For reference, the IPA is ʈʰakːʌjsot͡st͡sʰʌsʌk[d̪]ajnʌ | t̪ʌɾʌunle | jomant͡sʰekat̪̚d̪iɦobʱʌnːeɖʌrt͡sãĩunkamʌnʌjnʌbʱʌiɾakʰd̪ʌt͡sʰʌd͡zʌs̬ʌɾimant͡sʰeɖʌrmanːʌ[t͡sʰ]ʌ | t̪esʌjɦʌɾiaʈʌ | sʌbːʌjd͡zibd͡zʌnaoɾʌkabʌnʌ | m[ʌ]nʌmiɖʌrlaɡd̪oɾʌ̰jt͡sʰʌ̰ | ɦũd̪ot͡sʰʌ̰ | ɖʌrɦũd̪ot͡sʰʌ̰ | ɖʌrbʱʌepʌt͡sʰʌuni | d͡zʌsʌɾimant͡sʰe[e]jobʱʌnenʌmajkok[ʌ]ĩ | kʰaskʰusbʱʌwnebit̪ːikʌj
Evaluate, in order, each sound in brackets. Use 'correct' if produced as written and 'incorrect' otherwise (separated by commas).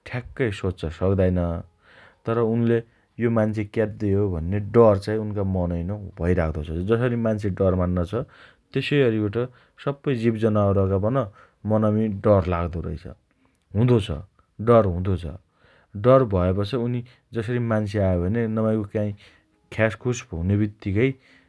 correct, correct, correct, incorrect, incorrect